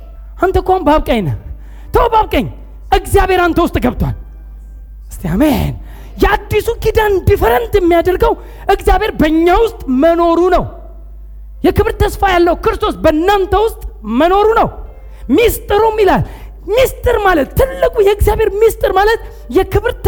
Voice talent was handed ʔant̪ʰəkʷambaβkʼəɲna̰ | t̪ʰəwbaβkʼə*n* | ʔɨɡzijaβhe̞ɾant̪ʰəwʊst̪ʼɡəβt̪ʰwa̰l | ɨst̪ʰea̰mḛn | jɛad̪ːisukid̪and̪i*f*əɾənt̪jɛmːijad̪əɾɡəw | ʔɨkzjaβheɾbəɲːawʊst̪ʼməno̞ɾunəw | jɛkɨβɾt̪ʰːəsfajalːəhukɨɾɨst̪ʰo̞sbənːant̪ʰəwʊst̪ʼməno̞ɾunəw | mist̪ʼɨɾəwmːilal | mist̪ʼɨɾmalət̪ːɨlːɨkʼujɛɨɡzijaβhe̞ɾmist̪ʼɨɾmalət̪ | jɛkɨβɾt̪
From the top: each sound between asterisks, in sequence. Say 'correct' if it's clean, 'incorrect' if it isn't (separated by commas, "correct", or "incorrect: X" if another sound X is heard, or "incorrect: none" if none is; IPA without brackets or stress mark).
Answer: incorrect: ɲ, correct